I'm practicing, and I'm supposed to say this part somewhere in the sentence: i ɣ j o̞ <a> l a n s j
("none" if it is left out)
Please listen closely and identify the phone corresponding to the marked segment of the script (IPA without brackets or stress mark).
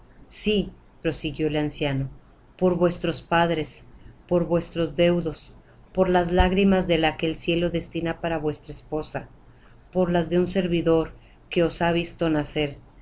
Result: e